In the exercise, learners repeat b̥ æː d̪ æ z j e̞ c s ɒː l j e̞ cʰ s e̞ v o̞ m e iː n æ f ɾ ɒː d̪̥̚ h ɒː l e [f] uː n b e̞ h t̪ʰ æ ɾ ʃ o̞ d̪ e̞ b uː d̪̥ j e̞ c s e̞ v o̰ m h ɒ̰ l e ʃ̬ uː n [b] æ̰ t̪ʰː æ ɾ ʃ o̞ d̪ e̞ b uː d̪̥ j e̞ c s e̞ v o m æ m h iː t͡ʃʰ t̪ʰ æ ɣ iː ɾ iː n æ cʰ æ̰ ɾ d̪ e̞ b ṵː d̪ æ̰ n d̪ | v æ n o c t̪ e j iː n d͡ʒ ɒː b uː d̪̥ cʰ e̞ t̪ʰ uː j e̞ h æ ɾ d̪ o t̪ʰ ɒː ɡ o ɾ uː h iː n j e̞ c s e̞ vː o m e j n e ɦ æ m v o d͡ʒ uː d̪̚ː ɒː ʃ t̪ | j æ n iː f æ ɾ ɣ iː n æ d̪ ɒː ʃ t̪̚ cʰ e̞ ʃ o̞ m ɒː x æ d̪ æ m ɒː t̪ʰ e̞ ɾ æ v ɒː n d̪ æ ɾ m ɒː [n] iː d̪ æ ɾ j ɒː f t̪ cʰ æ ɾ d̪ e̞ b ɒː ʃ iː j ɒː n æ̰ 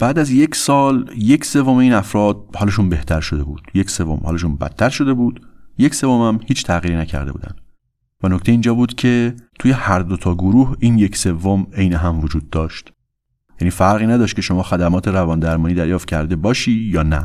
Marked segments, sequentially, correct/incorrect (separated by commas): incorrect, correct, correct